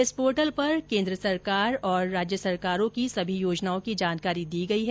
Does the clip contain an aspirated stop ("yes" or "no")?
no